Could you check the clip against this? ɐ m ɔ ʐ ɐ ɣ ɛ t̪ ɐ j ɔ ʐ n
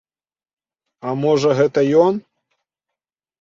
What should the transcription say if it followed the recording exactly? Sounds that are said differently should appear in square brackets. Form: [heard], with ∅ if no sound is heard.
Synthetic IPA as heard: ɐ m ɔ ʐ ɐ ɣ ɛ t̪ ɐ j ɔ [∅] n